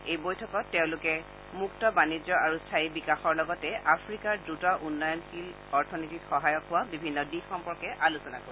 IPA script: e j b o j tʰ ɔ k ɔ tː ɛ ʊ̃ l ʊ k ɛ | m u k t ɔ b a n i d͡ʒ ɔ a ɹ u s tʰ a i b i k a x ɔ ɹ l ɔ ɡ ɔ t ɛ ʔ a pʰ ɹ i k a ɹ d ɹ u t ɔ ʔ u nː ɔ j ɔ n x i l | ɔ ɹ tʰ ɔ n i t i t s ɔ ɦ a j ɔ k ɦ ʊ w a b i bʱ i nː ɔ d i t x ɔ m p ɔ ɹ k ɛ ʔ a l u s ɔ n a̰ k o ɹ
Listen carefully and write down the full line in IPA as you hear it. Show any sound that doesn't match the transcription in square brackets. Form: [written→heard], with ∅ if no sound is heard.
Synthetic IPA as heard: e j b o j tʰ ɔ k ɔ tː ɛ ʊ̃ l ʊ k ɛ | m u k t ɔ b a n i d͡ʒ ɔ a ɹ u s tʰ a i b i k a x ɔ ɹ l ɔ ɡ ɔ t ɛ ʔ a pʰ ɹ i k a ɹ d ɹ u t ɔ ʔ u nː ɔ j ɔ n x i l | ɔ ɹ tʰ ɔ n i t i t [s→x] ɔ ɦ a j ɔ k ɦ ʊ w a b i bʱ i nː ɔ d i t x ɔ m p ɔ ɹ k ɛ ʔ a l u s ɔ n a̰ k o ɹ